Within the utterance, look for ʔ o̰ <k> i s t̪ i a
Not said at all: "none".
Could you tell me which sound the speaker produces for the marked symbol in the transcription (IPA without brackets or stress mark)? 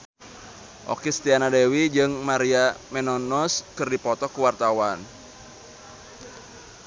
k